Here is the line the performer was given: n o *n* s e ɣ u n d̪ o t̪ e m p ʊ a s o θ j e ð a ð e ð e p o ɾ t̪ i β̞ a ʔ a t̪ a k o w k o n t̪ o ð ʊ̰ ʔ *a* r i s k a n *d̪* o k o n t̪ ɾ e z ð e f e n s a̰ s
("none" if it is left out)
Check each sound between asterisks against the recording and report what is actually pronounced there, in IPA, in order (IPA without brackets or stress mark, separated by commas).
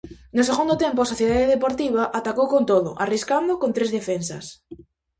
none, a, d̪